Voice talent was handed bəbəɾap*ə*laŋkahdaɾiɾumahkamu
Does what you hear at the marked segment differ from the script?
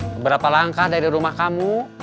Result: yes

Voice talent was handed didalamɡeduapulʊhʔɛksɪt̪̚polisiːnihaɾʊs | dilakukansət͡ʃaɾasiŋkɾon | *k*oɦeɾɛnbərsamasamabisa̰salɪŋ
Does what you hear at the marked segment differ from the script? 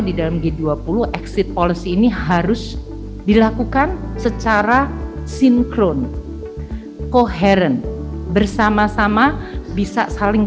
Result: no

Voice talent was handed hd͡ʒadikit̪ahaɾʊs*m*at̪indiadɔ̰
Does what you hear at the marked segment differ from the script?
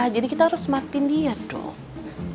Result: no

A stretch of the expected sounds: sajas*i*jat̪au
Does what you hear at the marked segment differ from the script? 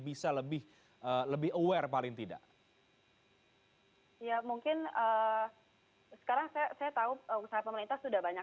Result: yes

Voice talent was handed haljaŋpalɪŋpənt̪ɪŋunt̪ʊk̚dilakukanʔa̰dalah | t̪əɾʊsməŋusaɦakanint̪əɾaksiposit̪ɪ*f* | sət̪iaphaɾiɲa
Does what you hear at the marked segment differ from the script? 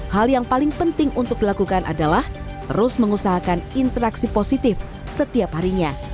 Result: no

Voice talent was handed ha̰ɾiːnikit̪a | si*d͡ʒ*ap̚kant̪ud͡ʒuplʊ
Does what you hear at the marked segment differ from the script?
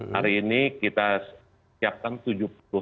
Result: yes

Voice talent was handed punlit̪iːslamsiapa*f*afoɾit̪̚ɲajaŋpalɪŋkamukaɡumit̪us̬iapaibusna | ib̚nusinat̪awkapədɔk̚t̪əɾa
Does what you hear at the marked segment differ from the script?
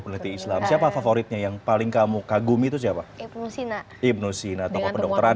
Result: no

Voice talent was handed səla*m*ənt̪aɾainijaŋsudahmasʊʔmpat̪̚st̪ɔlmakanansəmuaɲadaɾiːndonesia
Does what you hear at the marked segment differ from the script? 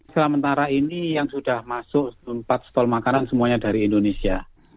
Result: no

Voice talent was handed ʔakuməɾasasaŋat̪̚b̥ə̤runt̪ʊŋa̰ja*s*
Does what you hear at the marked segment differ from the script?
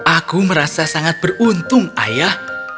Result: yes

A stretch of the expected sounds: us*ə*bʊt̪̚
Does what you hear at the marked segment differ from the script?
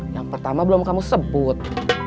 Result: no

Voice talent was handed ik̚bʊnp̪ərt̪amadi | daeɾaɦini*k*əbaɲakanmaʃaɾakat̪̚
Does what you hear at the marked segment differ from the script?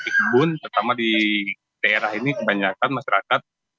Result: no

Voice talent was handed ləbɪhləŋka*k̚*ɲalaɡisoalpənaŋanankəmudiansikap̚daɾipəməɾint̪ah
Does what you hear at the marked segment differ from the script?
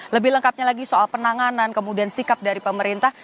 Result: yes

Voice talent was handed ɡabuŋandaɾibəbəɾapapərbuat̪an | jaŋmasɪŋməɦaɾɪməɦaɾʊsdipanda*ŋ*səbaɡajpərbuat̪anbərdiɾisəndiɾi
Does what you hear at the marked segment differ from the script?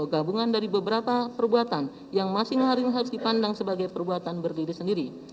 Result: no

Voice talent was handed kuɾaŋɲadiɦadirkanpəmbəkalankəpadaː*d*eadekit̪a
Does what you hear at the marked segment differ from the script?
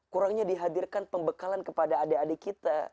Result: no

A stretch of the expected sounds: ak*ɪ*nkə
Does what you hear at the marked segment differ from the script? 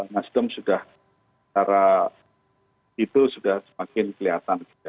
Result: no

